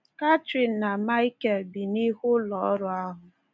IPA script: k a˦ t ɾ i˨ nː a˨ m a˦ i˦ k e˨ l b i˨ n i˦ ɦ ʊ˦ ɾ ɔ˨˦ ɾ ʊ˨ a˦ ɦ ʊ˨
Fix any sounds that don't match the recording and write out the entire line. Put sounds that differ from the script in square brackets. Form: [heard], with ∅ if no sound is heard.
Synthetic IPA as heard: k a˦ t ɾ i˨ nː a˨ m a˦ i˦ k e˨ l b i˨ n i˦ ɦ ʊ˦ [l] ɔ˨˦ ɾ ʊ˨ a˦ ɦ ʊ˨